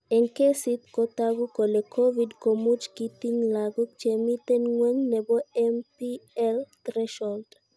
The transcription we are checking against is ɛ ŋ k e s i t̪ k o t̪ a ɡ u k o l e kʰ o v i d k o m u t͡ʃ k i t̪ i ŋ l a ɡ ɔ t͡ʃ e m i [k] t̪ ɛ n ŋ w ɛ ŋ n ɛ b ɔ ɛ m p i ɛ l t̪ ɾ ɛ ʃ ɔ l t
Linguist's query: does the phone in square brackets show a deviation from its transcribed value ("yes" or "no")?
yes